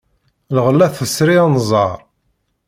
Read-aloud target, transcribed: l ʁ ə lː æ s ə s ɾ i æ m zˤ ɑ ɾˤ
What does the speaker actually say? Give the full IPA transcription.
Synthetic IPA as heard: l ʁ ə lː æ θ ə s ɾ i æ n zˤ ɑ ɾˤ